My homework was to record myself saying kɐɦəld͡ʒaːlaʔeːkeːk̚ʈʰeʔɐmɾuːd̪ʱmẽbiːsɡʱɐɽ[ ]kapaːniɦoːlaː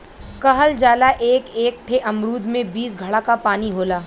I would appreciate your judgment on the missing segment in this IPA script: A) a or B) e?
A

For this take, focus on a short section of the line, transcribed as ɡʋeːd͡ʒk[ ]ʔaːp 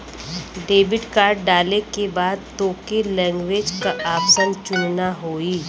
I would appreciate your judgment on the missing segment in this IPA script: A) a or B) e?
A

